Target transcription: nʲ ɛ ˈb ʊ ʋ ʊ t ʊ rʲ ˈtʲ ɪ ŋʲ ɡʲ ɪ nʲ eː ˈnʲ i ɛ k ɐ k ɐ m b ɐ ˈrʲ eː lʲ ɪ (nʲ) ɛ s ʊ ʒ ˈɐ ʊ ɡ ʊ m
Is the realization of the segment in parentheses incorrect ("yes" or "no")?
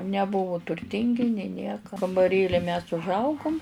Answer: yes